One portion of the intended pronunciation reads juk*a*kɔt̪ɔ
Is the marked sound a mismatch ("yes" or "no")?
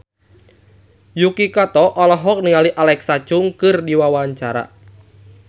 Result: yes